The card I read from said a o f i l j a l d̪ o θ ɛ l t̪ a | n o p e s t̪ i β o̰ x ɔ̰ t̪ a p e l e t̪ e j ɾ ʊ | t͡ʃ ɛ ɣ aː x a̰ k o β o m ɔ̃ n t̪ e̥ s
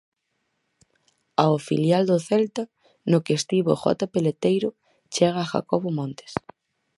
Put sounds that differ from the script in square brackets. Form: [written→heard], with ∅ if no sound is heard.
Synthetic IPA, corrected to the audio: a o f i l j a l d̪ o θ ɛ l t̪ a | n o [p→k] e s t̪ i β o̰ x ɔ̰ t̪ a p e l e t̪ e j ɾ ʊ | t͡ʃ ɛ ɣ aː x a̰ k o β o m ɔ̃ n t̪ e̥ s

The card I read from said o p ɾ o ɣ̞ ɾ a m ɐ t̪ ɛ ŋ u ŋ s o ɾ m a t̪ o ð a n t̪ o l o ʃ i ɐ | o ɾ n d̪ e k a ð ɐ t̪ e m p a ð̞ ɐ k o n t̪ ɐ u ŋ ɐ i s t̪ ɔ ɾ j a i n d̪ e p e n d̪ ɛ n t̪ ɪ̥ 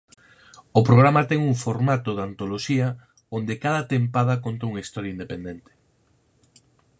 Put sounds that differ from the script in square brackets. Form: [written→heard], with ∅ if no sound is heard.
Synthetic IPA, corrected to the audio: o p ɾ o ɣ̞ ɾ a m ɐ t̪ ɛ ŋ u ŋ [s→f] o ɾ m a t̪ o ð a n t̪ o l o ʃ i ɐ | o [ɾ→∅] n d̪ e k a ð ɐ t̪ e m p a ð̞ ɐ k o n t̪ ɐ u ŋ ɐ i s t̪ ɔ ɾ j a i n d̪ e p e n d̪ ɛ n t̪ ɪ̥

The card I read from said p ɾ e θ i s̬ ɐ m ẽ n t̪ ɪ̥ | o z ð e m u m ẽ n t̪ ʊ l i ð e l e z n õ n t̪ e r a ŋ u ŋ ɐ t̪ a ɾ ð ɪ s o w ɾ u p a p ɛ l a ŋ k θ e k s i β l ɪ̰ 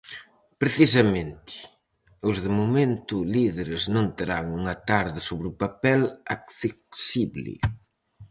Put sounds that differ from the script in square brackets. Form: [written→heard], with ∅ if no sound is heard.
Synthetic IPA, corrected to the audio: p ɾ e θ i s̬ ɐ m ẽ n t̪ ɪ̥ | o z ð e m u m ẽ n t̪ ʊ l i ð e [l→ɾ] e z n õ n t̪ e [r→ɾ] a ŋ u ŋ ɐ t̪ a ɾ ð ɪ s o [w→β] ɾ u p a p ɛ l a [ŋ→∅] k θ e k s i β l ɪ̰

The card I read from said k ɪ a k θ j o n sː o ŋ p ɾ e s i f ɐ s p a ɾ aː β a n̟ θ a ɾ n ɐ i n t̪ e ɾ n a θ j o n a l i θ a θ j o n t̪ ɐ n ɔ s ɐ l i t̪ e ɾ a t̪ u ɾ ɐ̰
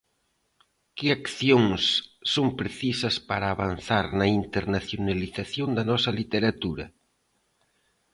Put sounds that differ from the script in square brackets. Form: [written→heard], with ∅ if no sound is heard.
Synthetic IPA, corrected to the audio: k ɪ a k θ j o [n→ŋ] sː o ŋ p ɾ e [s→θ] i [f→s] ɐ s p a ɾ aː β a n̟ θ a ɾ n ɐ i n t̪ e ɾ n a θ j o n a l i θ a θ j o n [t̪→d̪] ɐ n ɔ s ɐ l i t̪ e ɾ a t̪ u ɾ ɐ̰

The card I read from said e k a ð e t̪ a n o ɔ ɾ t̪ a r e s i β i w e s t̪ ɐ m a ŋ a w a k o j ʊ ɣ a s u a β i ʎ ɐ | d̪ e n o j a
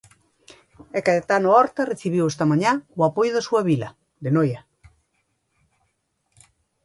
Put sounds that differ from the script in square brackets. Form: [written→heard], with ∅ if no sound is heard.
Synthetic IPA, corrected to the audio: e k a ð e t̪ a n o ɔ ɾ t̪ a r e [s→θ] i β i w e s t̪ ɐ m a [ŋ→ɲ] a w a [k→p] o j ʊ [ɣ→ð] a s u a β i [ʎ→l] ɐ | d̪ e n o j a

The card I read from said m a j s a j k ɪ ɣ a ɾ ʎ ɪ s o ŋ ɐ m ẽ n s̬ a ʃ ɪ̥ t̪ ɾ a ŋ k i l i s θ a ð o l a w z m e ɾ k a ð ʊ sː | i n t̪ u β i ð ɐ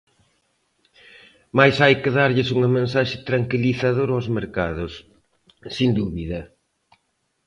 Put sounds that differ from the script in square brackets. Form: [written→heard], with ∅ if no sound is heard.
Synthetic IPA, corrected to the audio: m a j s a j k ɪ [ɣ→ð] a ɾ ʎ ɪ s [o→u] ŋ ɐ m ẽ n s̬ a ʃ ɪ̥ t̪ ɾ a ŋ k i l i [s→∅] θ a ð o [l→ɾ] a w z m e ɾ k a ð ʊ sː | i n [t̪→d̪] u β i ð ɐ

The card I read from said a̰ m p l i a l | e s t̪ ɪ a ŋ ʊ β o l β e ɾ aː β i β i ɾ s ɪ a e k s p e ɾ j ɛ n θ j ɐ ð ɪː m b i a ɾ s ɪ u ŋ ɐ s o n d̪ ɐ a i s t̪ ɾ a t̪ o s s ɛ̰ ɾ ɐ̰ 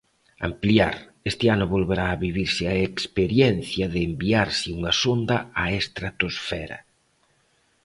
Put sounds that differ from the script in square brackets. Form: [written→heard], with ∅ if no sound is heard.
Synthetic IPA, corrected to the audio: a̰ m p l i a [l→ɾ] | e s t̪ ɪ a [ŋ→n] ʊ β o l β e ɾ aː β i β i ɾ s ɪ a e k s p e ɾ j ɛ n θ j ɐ ð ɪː m b i a ɾ s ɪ u ŋ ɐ s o n d̪ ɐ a [i→e] s t̪ ɾ a t̪ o s [s→f] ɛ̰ ɾ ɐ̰

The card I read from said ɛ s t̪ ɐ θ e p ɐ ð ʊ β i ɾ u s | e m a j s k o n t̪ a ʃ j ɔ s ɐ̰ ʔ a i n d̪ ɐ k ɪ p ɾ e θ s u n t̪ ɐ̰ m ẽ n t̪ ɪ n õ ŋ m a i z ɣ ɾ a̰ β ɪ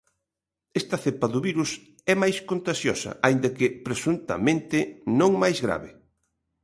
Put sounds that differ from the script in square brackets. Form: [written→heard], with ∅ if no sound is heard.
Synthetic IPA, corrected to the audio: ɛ s t̪ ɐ θ e p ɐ ð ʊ β i ɾ u s | [e→ɛ] m a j s k o n t̪ a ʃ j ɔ s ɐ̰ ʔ a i n d̪ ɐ k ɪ p ɾ e [θ→∅] s u n t̪ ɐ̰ m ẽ n t̪ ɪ n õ ŋ m a [i→j] z ɣ ɾ a̰ β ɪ

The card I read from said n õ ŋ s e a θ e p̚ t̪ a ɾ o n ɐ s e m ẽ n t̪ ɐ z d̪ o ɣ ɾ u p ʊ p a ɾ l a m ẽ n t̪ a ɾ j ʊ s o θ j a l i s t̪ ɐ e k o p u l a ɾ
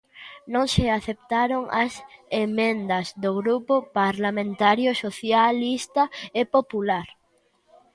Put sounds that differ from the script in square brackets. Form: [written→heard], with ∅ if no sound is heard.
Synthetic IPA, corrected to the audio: n õ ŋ s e a θ e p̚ t̪ a ɾ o [n→ŋ] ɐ s e m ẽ n [t̪→d̪] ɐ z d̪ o ɣ ɾ u p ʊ p a ɾ l a m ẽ n t̪ a ɾ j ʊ s o θ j a l i s t̪ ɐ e [k→p] o p u l a ɾ

